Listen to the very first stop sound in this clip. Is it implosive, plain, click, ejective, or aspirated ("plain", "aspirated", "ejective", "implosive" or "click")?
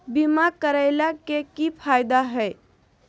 plain